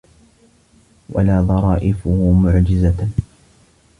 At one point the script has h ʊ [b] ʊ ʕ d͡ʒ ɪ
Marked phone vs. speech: incorrect: m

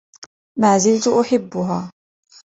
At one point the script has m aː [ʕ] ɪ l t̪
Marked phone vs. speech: incorrect: z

